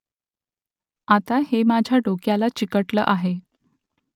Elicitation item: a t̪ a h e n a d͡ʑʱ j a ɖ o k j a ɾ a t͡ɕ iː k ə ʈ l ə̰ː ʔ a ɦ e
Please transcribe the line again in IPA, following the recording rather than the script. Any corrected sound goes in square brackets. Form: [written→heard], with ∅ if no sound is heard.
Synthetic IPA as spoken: a t̪ a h e [n→m] a d͡ʑʱ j a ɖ o k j a [ɾ→l] a t͡ɕ [iː→i] k ə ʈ l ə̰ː ʔ a ɦ e